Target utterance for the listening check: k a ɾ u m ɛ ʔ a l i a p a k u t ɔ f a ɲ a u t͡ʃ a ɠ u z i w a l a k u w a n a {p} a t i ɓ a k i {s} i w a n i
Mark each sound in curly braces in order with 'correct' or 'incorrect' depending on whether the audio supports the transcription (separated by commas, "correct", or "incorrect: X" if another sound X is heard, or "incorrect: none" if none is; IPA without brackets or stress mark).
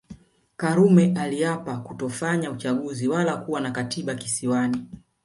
incorrect: k, correct